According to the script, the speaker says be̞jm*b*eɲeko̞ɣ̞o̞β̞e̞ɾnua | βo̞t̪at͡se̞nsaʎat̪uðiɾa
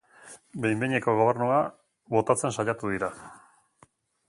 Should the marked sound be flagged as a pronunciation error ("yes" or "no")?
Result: no